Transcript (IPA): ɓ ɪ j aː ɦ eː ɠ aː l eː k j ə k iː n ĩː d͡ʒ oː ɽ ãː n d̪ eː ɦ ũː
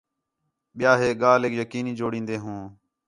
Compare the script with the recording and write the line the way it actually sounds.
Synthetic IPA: ɓ ɪ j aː ɦ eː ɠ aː l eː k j ə k iː n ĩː d͡ʒ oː ɽ ĩː n d̪ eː ɦ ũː